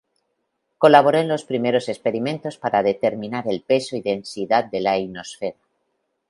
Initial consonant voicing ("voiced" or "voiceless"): voiceless